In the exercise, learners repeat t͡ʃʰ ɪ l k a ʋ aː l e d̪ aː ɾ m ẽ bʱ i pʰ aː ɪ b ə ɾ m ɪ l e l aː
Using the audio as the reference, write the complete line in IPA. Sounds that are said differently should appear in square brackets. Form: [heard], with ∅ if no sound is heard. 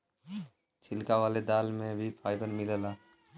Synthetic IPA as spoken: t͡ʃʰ ɪ l k a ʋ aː l e d̪ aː [l] m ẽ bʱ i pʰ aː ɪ b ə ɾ m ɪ l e l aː